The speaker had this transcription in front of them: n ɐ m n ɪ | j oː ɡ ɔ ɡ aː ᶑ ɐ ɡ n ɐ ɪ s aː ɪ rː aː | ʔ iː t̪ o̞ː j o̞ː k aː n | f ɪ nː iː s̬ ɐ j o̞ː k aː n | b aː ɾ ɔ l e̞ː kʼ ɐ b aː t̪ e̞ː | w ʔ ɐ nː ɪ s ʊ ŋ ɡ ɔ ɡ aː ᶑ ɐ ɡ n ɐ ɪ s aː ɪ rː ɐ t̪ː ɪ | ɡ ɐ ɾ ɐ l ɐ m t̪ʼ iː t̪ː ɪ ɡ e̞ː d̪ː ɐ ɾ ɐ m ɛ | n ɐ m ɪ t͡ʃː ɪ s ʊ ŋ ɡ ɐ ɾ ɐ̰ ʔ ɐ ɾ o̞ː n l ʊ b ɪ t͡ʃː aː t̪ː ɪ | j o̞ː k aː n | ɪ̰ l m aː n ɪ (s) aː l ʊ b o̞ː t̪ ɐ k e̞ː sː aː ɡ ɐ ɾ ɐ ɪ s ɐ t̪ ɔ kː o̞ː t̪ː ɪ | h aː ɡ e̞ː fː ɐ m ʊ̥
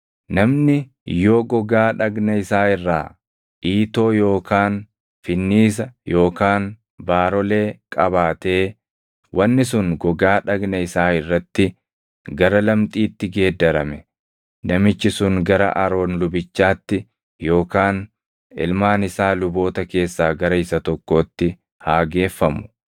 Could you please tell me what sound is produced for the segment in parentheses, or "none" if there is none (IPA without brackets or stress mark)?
s